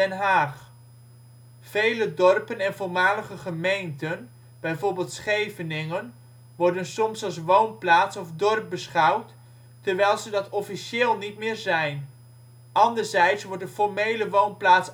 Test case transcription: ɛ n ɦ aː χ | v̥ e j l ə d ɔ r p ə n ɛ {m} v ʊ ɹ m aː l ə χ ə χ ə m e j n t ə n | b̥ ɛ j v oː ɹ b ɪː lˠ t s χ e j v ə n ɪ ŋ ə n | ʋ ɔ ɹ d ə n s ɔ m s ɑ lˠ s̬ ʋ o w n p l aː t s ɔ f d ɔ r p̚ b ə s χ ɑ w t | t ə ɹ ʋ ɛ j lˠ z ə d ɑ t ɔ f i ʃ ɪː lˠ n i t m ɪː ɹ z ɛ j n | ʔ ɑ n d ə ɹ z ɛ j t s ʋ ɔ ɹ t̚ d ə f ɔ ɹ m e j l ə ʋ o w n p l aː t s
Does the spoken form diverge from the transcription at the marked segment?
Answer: yes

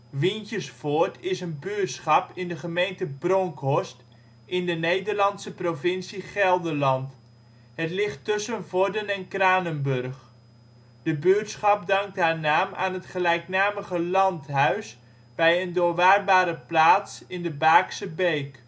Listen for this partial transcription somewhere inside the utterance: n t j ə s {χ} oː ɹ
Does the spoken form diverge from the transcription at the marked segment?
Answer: yes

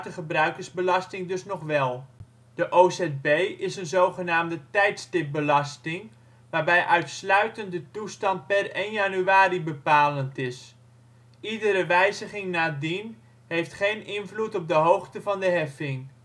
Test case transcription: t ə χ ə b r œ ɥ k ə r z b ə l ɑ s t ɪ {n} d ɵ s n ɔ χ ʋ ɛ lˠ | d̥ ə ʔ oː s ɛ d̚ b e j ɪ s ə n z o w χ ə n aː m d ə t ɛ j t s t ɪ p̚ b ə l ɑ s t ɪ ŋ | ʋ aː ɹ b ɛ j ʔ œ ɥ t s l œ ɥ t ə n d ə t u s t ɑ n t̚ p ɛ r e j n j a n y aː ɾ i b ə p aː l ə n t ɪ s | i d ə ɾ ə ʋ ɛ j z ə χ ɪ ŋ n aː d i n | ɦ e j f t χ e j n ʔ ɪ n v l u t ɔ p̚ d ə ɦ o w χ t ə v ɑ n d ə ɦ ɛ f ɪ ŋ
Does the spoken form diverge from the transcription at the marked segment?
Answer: yes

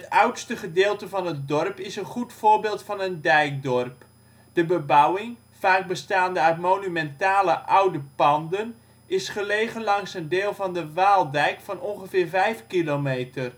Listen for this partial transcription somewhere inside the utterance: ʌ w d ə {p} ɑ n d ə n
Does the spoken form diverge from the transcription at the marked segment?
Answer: no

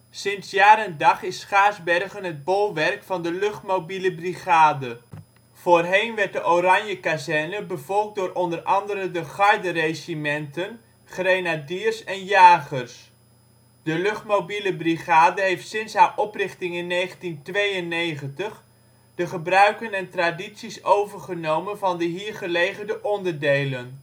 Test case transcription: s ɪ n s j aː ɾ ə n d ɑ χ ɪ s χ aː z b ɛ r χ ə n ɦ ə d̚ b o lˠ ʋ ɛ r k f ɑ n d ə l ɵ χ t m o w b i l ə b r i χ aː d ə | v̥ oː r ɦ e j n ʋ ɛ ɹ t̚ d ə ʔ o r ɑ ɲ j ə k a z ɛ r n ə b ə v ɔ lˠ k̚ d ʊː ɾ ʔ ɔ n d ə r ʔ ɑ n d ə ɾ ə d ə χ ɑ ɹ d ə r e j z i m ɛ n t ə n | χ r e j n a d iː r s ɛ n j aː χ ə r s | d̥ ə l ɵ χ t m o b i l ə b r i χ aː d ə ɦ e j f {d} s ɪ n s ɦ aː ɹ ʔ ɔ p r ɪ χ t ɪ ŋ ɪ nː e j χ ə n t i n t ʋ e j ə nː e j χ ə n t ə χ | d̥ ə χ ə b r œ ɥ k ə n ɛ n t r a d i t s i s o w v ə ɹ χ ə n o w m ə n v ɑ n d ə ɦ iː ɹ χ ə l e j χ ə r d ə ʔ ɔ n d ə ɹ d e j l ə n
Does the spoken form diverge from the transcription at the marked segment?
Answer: yes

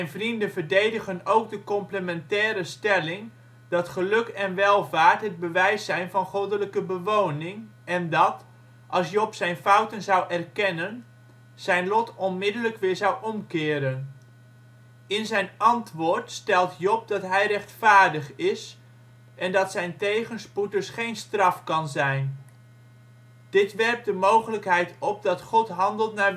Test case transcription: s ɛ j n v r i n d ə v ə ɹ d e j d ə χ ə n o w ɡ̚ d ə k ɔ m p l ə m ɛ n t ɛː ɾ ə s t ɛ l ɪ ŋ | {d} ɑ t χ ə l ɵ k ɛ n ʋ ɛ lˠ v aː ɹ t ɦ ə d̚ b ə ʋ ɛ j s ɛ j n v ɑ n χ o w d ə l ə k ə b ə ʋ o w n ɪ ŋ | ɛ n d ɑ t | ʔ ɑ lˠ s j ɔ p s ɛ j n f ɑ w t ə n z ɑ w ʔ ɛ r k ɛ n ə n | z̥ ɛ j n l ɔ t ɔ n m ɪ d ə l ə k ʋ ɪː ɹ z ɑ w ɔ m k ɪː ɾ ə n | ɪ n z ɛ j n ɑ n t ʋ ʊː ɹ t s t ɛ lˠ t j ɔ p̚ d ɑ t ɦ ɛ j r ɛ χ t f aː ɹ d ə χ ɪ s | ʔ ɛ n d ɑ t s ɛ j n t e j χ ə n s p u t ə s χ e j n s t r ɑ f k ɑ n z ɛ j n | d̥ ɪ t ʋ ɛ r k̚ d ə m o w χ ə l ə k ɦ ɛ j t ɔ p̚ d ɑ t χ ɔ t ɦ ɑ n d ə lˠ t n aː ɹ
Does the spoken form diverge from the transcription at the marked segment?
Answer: no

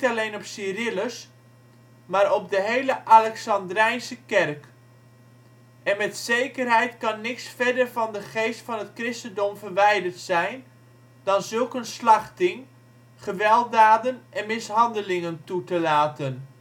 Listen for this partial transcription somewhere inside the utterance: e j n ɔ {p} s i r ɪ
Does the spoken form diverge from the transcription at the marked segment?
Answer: no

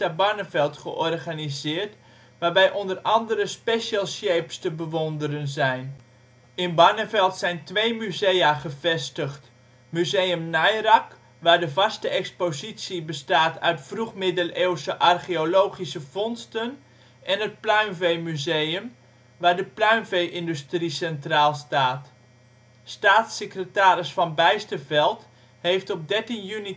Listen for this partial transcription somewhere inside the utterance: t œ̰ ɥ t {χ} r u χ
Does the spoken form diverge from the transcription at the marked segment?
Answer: yes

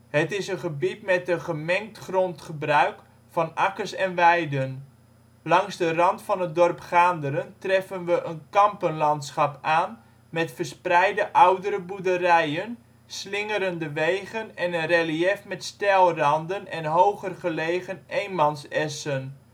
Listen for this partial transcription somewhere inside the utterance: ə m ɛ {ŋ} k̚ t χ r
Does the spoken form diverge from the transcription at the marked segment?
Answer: no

